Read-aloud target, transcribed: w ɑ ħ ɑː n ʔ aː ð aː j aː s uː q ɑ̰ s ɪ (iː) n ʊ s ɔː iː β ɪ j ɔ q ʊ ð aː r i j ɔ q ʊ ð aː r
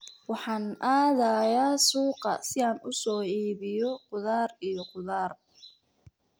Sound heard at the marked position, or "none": aː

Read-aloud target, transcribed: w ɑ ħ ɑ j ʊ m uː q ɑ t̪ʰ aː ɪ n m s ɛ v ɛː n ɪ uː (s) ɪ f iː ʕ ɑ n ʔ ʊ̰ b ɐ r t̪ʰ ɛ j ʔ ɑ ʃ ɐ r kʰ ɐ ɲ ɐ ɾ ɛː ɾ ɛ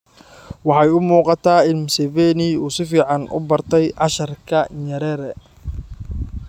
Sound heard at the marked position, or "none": s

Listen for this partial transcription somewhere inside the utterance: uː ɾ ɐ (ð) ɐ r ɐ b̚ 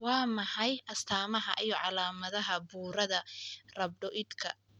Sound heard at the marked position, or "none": ð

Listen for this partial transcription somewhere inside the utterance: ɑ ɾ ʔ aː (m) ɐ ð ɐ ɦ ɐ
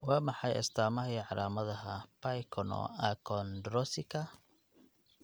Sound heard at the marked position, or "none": m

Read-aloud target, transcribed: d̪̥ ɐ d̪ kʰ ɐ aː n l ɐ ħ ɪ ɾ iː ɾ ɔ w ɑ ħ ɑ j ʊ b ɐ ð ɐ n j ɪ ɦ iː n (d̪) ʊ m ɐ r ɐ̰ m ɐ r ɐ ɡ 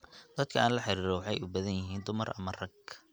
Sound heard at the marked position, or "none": d̪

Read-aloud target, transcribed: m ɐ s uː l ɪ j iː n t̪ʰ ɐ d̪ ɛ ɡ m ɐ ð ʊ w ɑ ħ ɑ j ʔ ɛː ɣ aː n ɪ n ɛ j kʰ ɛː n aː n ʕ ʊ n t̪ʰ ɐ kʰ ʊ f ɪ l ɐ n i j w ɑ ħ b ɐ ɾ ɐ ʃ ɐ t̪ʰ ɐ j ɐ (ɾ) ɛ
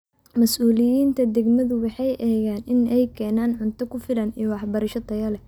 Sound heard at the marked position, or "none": l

